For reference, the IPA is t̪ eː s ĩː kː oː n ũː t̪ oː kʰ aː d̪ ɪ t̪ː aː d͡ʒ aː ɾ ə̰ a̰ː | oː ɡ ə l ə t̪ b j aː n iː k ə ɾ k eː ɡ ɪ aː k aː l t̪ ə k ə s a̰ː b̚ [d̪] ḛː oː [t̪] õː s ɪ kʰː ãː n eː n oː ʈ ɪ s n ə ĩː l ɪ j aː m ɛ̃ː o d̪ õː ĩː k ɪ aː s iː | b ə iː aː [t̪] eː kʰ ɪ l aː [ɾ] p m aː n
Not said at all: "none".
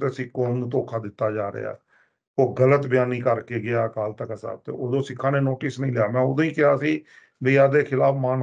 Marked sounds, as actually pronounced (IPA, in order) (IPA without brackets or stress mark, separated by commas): t̪, d̪, d̪, none